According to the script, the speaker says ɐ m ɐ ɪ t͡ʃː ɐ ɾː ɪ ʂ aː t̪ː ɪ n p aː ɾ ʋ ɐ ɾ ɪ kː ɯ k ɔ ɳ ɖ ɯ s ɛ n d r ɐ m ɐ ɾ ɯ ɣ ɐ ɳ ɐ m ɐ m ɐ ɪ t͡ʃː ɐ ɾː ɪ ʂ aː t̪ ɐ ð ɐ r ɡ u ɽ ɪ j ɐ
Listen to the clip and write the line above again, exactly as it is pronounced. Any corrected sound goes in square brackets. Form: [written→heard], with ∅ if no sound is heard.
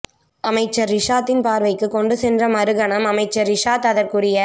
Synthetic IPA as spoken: ɐ m ɐ ɪ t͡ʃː ɐ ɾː ɪ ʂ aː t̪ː ɪ n p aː ɾ ʋ ɐ [ɾ→∅] ɪ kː ɯ k ɔ ɳ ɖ ɯ s ɛ n d r ɐ m ɐ ɾ ɯ ɣ ɐ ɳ ɐ m ɐ m ɐ ɪ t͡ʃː ɐ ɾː ɪ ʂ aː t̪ ɐ ð ɐ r [ɡ→k] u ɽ ɪ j ɐ